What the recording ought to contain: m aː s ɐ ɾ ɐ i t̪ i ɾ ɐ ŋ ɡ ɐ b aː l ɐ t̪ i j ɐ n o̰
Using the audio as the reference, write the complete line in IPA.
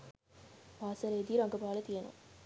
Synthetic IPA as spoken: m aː s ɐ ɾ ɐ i d̪ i ɾ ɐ ŋ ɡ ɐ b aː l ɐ t̪ i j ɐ n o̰